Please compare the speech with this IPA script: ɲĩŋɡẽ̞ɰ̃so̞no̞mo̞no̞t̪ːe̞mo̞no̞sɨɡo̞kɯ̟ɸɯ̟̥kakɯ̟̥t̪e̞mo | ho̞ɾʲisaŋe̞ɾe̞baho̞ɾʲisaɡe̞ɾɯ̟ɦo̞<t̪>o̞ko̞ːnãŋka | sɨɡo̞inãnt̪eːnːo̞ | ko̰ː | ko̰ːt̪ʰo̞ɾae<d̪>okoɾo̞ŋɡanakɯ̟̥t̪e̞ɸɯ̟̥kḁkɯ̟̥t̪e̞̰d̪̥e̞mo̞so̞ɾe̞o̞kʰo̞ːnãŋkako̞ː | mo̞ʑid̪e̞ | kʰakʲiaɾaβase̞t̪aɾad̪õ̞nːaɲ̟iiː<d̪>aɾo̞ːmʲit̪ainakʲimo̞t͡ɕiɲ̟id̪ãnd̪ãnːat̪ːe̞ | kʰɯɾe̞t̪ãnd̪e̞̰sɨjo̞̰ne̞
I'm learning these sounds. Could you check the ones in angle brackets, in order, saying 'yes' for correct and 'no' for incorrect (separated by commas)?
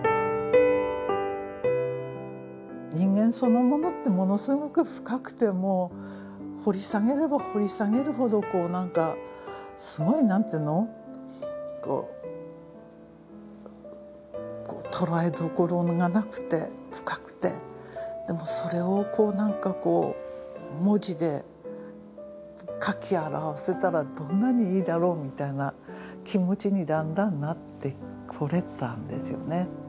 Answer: no, yes, yes